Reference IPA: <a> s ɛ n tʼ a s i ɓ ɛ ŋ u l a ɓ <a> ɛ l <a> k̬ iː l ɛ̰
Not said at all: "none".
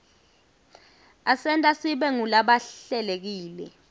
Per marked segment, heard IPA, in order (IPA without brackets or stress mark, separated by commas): a, a, e